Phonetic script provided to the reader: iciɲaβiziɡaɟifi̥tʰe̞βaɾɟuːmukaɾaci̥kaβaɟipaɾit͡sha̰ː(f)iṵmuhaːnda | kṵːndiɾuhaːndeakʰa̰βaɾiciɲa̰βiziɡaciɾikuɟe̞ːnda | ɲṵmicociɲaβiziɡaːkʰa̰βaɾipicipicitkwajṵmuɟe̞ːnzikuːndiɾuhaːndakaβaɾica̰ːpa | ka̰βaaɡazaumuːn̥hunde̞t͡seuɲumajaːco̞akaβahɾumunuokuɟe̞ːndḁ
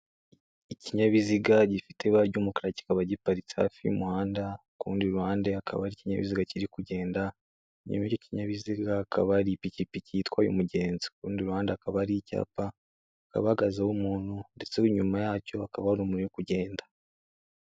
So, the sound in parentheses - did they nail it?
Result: yes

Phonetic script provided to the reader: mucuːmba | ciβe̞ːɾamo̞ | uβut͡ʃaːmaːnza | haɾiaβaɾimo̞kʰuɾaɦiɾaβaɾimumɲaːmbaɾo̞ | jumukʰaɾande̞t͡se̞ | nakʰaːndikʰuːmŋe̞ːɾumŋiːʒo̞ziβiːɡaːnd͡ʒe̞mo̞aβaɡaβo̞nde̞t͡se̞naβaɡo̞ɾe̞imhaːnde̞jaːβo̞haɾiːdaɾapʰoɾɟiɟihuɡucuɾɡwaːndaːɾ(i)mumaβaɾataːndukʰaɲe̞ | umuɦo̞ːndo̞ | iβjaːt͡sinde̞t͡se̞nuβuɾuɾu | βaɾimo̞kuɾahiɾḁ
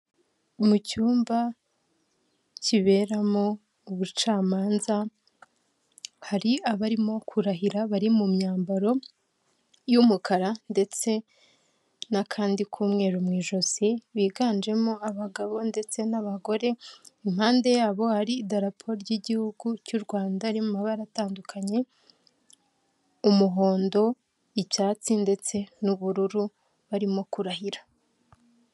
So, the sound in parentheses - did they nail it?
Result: yes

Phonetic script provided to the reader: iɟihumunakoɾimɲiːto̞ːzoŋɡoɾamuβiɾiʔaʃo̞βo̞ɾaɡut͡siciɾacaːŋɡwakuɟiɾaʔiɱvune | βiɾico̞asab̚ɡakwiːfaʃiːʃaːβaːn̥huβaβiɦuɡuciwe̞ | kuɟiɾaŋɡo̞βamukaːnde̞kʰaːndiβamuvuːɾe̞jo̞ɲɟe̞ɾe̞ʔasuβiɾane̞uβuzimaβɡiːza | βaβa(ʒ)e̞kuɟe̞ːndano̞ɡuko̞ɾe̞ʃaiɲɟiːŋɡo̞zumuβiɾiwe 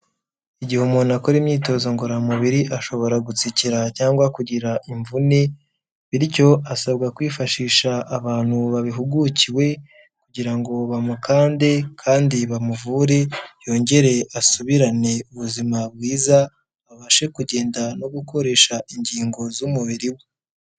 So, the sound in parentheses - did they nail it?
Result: no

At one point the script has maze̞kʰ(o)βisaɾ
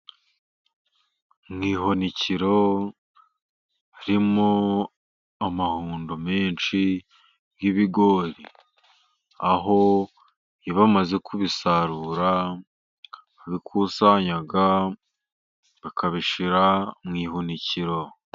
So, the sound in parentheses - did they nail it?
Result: no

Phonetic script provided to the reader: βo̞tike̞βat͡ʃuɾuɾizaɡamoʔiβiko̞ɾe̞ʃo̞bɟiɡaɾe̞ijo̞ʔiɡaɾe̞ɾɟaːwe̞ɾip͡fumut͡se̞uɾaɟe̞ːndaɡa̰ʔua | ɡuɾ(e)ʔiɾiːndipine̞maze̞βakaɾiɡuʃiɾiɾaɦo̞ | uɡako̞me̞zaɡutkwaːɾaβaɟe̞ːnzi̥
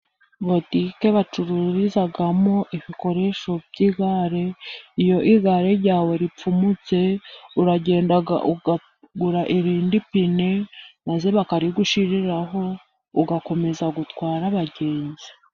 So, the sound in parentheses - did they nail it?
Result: no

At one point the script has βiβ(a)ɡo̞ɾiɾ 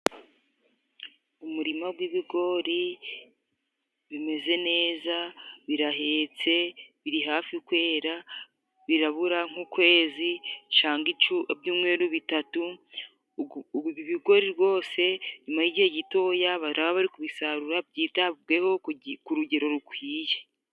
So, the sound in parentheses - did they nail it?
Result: no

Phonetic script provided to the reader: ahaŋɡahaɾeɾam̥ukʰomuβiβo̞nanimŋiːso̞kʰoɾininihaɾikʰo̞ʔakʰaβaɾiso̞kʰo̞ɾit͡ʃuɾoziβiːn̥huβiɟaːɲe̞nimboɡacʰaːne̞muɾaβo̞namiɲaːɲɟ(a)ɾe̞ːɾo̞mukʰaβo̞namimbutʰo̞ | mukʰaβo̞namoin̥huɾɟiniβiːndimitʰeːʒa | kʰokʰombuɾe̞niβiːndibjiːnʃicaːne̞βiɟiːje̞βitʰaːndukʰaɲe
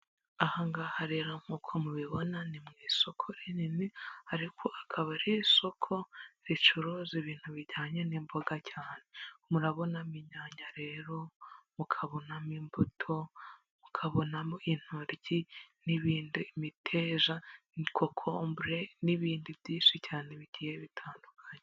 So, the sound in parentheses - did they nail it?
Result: yes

